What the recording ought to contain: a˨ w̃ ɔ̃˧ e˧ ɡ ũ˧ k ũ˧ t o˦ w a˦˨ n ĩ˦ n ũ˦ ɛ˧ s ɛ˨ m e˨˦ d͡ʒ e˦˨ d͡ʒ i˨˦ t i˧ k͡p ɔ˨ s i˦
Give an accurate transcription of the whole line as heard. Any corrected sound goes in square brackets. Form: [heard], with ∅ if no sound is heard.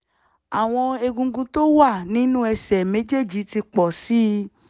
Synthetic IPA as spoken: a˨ w̃ ɔ̃˧ e˧ ɡ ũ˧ [ɡ] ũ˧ t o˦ w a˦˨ n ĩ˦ n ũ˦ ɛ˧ s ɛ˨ m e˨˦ d͡ʒ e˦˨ d͡ʒ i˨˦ t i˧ k͡p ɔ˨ s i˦